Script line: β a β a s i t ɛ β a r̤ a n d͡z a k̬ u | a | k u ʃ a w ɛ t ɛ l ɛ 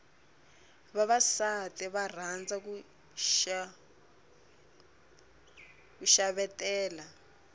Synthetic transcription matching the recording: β a β a s a t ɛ β a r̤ a n d͡z a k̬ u | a | k u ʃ a β ɛ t ɛː l a

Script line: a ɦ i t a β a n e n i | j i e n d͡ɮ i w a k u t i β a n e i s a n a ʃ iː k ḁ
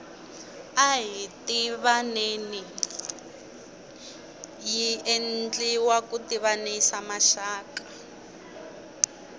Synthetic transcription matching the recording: a ɦ i t i β a n e n i | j i e n d͡ɮ i w a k u t i β a n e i s a m a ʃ aː k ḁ

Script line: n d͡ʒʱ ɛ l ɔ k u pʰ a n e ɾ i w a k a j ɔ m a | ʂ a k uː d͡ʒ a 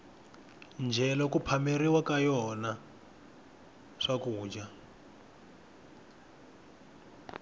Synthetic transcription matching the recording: n d͡ʒʱ ɛ l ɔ k u pʰ a m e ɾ i w a k a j ɔ n a | ʂ a k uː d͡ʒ a

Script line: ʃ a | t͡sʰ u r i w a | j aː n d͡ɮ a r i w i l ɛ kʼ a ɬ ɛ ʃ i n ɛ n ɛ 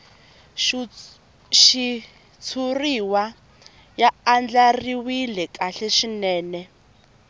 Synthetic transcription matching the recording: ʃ i | t͡sʰ u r i w a | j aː n d͡ɮ a r i w i l ɛ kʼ a ɬ ɛ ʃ i n ɛː n ɛ

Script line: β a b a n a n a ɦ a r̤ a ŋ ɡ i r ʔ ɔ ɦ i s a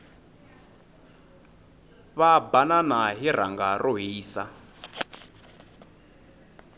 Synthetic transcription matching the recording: β a b a n a n a ɦ i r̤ a ŋ ɡ a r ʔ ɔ ɦ iː s a

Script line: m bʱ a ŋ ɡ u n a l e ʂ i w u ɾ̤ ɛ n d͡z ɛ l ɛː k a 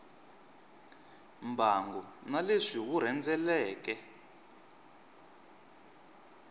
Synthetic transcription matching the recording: m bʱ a ŋ ɡ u n a l e ʂ i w u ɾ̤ ɛ n d͡z ɛ l ɛː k ɛ

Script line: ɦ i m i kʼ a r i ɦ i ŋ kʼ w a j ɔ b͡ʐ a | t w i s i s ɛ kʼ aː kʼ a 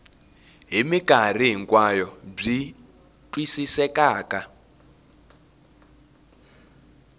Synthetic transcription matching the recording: ɦ i m i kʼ a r i ɦ i ŋ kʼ w a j ɔ b͡ʐ i | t w i s i s ɛ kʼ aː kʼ a

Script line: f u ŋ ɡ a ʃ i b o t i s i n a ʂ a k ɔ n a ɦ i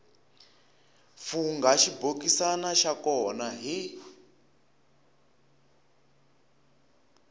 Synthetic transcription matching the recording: f u ŋ ɡ a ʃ i b o k i s a n a ʃ a k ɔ n a ɦ i

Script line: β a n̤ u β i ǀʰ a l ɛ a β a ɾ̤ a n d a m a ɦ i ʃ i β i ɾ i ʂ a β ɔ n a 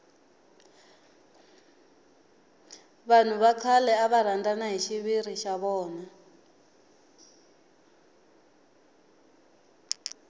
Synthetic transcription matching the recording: β a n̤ u β a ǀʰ a l ɛ a β a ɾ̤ a n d a n a ɦ i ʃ i β i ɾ i ʃ a β ɔː n a

